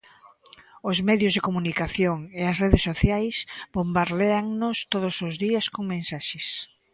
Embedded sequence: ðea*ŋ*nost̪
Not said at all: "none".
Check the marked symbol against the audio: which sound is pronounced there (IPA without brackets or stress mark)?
ŋ